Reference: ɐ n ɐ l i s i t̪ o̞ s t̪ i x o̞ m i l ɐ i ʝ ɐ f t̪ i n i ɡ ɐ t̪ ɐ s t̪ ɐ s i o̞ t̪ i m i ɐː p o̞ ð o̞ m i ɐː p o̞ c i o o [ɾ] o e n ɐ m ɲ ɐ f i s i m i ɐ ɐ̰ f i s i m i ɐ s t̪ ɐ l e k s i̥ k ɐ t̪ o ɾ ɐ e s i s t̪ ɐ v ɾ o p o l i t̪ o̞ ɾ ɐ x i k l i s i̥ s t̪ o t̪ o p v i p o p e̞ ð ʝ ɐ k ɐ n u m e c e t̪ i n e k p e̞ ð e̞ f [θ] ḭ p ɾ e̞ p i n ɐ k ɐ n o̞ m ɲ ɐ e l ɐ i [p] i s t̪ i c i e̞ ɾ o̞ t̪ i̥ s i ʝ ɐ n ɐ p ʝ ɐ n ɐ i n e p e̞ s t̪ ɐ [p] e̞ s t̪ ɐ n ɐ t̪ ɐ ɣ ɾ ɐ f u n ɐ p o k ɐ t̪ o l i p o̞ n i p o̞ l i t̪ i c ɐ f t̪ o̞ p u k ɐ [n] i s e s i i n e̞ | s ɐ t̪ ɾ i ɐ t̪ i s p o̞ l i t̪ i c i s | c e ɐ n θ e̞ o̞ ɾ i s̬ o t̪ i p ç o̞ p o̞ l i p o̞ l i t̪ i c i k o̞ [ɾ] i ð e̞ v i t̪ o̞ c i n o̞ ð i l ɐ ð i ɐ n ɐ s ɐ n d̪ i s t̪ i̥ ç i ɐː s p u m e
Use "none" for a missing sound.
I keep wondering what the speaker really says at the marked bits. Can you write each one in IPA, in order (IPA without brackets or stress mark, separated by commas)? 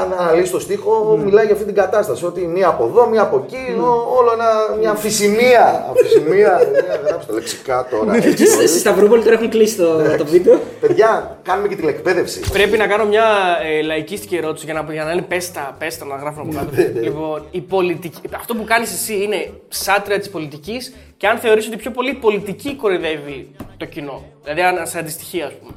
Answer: l, s, c, p, n, ɾ